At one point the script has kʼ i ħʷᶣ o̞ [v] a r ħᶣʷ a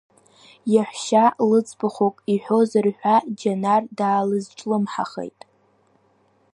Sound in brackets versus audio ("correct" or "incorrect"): incorrect